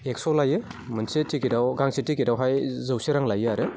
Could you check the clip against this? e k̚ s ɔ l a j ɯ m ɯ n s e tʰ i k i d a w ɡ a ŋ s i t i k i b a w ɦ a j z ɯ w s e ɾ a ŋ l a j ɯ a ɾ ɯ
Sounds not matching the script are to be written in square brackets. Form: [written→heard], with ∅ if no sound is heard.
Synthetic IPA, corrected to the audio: e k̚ s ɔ l a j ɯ m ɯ n s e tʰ i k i d a w ɡ a ŋ s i t i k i [b→d] a w ɦ a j z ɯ w s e ɾ a ŋ l a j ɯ a ɾ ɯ